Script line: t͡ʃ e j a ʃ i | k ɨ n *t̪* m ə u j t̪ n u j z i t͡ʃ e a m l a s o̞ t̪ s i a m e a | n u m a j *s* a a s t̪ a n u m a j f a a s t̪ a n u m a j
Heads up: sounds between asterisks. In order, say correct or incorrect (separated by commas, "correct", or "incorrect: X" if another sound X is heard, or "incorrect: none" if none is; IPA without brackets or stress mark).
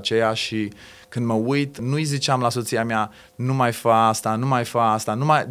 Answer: incorrect: d̪, incorrect: f